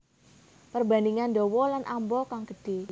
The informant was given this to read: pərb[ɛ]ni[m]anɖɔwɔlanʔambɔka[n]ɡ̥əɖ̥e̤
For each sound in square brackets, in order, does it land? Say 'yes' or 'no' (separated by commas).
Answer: no, no, no